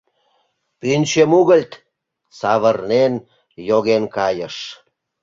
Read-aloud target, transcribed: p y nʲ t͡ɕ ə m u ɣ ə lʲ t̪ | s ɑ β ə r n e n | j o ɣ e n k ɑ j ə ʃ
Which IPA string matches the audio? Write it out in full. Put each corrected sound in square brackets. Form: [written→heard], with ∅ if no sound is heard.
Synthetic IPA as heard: p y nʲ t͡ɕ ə m u ɣ ə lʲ t̪ | s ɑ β ə r n e n | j o ɣ e n k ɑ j ə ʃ

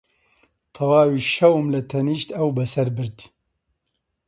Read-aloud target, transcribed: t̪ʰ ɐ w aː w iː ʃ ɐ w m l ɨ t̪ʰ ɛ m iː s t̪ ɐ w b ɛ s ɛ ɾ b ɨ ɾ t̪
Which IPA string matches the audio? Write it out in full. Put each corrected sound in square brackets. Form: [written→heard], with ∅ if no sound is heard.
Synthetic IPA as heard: t̪ʰ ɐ w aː w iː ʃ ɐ w m l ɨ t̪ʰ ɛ [m→n] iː [s→ʃ] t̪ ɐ w b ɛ s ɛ ɾ b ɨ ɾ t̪

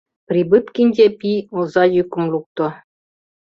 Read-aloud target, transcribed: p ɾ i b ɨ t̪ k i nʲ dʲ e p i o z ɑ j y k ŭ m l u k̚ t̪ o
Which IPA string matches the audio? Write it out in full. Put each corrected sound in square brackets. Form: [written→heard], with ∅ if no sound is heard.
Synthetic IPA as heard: p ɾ i b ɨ t̪ k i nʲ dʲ e p i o z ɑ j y k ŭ m l u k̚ t̪ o

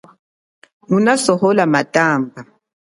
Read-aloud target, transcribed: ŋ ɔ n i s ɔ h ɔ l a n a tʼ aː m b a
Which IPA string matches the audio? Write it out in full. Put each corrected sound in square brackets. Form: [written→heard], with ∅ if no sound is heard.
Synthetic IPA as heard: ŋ [ɔ→u] n [i→a] s ɔ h ɔ l a [n→m] a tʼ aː m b a

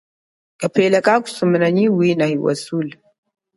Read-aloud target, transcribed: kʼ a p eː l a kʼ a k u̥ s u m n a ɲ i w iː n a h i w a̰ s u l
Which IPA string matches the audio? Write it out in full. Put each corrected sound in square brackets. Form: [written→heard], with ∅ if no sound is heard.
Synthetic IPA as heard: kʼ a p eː l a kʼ a k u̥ s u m n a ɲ i w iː n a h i w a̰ s u l

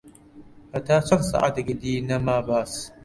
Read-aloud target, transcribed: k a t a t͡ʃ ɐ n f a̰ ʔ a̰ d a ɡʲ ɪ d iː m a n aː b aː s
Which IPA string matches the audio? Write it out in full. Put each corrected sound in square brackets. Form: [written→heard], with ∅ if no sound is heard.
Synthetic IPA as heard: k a t a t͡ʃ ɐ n [f→s] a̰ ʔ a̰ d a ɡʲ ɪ d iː [m→n] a [n→m] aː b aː s

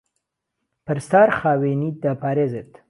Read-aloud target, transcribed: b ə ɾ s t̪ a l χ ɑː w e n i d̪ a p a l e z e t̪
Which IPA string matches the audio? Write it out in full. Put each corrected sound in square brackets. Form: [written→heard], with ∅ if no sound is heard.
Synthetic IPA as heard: [b→p] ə ɾ s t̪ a [l→ɾ] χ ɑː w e n i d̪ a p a [l→ɾ] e z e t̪

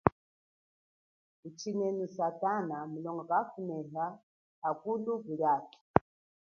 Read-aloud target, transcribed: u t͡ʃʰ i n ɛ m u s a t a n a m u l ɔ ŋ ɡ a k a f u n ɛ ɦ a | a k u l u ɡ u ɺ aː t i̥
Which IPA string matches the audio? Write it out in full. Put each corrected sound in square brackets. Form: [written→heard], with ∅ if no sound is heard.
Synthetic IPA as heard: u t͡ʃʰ i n ɛ [m→n] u s a t a n a m u l ɔ ŋ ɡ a k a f u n ɛ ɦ a | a k u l u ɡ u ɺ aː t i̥

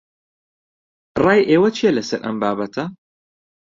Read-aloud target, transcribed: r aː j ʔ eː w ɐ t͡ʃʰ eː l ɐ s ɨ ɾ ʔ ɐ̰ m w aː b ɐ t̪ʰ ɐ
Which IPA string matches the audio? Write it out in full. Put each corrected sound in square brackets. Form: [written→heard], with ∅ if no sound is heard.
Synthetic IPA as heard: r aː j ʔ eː w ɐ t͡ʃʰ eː l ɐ s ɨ ɾ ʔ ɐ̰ m [w→b] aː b ɐ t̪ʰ ɐ

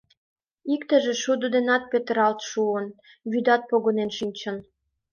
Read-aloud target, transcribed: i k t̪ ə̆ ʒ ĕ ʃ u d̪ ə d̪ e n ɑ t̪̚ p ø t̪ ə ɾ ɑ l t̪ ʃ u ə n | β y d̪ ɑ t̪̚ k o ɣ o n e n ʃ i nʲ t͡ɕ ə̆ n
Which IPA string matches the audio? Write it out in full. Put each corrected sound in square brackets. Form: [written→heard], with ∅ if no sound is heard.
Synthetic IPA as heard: i k t̪ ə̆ ʒ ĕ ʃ u d̪ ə d̪ e n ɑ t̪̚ p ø t̪ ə ɾ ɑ l t̪ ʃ u ə n | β y d̪ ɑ t̪̚ [k→p] o ɣ o n e n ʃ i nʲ t͡ɕ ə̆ n

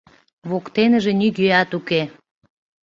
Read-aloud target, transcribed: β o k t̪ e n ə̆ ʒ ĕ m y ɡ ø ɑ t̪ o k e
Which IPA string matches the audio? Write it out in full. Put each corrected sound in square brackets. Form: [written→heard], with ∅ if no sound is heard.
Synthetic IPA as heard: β o k t̪ e n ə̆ ʒ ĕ [m→n] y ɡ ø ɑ t̪ [o→u] k e

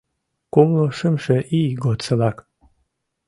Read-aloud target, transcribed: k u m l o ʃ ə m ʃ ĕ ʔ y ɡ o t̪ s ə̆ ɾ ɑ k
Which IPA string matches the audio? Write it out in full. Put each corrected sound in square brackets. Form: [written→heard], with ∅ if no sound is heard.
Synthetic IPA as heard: k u m l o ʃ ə m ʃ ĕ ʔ [y→i] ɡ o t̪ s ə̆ [ɾ→l] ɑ k

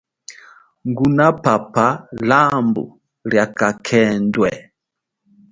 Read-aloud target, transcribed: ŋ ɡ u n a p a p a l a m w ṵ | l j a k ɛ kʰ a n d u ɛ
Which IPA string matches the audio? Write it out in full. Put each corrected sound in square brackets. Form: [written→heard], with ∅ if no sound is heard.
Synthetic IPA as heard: ŋ ɡ u n a p a p a l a m [w→b] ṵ | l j a k [ɛ→a] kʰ [a→ɛ] n d [u→w] ɛ

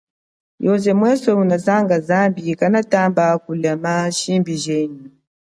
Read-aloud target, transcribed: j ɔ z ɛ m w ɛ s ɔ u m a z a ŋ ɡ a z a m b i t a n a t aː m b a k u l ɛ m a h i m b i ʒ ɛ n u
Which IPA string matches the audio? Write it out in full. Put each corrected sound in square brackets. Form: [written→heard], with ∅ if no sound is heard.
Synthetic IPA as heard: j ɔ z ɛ m w ɛ s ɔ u [m→n] a z a ŋ ɡ a z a m b i [t→k] a n a t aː m b a k u l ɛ m a [h→ʃ] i m b i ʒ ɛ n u

